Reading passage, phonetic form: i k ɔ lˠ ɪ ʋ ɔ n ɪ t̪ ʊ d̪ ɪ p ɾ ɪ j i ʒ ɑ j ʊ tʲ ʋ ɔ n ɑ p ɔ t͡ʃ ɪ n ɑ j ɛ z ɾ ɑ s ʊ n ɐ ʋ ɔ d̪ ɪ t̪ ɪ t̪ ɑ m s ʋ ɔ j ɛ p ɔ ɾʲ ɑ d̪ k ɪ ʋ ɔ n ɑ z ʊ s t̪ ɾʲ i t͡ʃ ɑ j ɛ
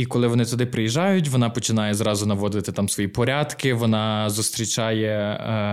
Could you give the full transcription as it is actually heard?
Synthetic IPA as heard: i k ɔ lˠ ɪ ʋ ɔ n ɪ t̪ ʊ d̪ ɪ p ɾ ɪ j i ʒ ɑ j ʊ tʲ ʋ ɔ n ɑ p ɔ t͡ʃ ɪ n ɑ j ɛ z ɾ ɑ z ʊ n ɐ ʋ ɔ d̪ ɪ t̪ ɪ t̪ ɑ m s ʋ ɔ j i p ɔ ɾʲ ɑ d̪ k ɪ ʋ ɔ n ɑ z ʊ s t̪ ɾʲ i t͡ʃ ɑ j ɛ